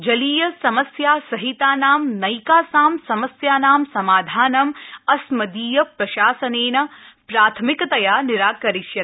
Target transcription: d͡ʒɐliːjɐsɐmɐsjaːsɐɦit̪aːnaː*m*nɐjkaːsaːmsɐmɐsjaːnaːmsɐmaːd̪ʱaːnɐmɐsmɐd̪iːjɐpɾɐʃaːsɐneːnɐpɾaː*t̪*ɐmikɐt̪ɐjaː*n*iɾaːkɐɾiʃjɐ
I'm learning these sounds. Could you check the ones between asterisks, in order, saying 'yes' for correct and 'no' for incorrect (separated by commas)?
yes, no, yes